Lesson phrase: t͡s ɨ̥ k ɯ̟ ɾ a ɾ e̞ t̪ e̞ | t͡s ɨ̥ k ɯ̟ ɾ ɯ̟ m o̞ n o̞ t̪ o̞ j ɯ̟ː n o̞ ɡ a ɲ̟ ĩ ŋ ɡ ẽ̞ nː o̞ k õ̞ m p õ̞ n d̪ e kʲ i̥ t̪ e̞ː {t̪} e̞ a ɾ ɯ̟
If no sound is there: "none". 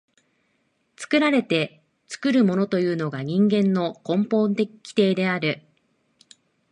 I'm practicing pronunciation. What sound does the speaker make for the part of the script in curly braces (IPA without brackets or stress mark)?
d̪